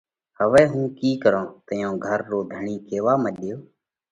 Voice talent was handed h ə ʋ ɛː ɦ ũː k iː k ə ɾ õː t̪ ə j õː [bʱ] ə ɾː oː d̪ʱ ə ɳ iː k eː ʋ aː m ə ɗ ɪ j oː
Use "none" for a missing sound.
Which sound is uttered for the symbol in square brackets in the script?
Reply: ɡʱ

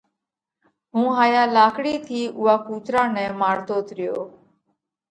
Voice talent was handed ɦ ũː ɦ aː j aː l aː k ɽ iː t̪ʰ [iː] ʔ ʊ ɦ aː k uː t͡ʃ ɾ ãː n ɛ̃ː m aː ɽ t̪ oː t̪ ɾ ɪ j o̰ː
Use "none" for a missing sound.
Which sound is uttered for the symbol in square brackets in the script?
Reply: iː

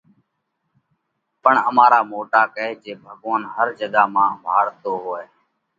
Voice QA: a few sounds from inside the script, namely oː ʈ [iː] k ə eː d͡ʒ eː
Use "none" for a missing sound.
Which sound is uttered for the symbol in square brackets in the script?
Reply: aː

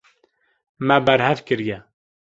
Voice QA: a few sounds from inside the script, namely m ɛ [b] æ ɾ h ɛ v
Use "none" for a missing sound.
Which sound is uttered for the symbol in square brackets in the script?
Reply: b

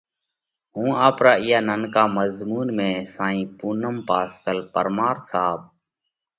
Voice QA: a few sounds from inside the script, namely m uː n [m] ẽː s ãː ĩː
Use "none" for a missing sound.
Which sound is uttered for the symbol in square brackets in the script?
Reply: m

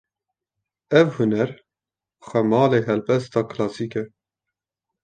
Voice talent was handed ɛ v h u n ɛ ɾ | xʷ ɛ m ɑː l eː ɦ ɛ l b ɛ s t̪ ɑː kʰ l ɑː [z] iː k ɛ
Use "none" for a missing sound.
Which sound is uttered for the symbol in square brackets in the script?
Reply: s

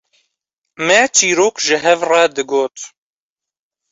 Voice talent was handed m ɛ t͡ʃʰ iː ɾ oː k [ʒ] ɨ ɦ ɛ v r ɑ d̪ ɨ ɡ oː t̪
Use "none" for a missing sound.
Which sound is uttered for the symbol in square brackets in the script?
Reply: ʒ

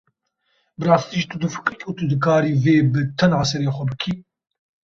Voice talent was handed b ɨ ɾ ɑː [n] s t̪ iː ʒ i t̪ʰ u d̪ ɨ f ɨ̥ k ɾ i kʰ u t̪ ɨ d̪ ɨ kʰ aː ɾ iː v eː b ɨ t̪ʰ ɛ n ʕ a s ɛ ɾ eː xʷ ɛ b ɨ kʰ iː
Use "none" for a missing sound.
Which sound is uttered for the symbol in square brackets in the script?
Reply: none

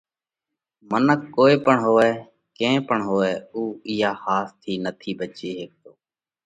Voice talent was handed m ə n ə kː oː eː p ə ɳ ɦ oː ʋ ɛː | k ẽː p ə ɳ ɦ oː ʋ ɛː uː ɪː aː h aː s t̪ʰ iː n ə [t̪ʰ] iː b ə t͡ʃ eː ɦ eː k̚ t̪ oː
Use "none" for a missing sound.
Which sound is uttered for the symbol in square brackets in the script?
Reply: t̪ʰ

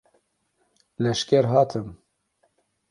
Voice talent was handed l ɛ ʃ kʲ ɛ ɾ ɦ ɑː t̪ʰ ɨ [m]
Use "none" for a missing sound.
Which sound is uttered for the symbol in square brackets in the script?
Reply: m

